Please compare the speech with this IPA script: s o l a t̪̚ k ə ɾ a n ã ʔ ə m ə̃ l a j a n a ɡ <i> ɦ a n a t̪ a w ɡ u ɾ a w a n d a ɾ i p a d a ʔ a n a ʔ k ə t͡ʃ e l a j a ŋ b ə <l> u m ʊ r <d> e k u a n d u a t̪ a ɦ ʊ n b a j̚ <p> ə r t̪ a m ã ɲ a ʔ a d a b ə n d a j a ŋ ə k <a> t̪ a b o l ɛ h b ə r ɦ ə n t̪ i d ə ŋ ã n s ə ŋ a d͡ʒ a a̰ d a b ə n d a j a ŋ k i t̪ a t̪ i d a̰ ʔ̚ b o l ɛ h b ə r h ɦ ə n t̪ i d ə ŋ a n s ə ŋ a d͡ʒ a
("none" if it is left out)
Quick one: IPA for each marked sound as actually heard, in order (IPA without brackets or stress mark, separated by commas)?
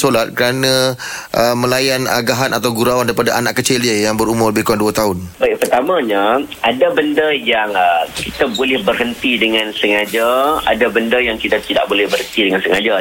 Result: a, ɾ, b, p, i